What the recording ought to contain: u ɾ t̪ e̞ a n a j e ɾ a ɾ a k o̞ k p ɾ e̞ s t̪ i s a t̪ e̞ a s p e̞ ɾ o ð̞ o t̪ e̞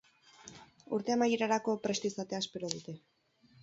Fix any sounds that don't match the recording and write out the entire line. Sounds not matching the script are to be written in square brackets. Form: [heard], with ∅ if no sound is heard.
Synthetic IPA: u ɾ t̪ e̞ a [m] a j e ɾ a ɾ a k o̞ [∅] p ɾ e̞ s t̪ i s a t̪ e̞ a s p e̞ ɾ o ð̞ [u] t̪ e̞